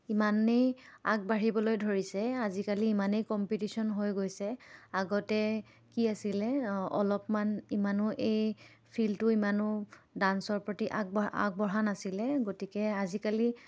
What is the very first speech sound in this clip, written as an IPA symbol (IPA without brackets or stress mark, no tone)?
i